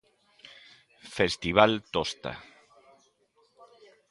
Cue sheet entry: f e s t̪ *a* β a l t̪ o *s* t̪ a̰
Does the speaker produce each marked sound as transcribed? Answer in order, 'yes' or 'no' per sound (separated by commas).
no, yes